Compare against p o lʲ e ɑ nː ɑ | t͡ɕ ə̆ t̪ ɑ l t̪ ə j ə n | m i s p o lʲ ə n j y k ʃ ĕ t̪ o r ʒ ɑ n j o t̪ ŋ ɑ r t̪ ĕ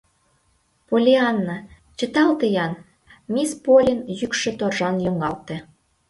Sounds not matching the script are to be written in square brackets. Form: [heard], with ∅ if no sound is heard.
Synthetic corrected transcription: p o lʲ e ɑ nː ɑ | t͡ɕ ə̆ t̪ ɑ l t̪ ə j [ɑ] n | m i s p o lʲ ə n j y k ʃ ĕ t̪ o r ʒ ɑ n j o [∅] ŋ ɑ [l] t̪ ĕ